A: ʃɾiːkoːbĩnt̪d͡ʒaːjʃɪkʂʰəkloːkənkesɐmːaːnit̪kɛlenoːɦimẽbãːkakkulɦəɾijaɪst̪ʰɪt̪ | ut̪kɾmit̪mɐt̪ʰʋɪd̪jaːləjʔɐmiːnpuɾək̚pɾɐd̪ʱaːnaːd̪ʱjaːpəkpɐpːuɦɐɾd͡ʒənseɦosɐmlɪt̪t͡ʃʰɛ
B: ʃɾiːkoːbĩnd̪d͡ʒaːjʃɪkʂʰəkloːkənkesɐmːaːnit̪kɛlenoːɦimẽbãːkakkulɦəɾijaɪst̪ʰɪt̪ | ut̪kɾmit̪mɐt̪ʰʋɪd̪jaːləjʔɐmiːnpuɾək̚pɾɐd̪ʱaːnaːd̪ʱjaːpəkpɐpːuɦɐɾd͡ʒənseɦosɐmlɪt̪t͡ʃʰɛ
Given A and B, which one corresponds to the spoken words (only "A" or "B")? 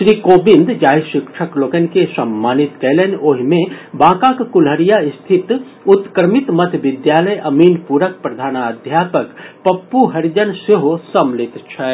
B